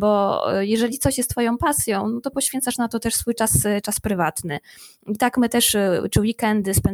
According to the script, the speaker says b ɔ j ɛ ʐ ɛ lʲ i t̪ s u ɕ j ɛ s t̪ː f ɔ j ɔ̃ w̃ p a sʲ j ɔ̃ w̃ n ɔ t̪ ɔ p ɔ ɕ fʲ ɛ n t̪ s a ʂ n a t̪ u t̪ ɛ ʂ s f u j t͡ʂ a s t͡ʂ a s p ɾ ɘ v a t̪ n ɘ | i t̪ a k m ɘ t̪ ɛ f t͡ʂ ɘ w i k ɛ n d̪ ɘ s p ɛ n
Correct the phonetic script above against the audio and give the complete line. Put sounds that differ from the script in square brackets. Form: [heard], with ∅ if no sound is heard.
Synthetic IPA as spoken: b ɔ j ɛ ʐ ɛ lʲ i t̪ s [ɔ] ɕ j ɛ s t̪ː f ɔ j ɔ̃ w̃ p a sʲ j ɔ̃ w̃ n ɔ t̪ ɔ p ɔ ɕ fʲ ɛ n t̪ s a ʂ n a t̪ [ɔ] t̪ ɛ ʂ s f u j t͡ʂ a s t͡ʂ a s p ɾ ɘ v a t̪ n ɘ | i t̪ a k m ɘ t̪ ɛ [ʂ] t͡ʂ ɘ w i k ɛ n d̪ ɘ s p ɛ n